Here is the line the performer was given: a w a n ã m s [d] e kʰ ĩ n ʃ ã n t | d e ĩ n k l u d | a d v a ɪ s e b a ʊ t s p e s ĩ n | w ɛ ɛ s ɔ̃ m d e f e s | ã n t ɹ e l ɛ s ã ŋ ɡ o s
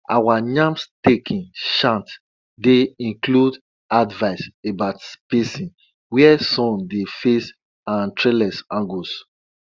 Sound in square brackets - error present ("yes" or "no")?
yes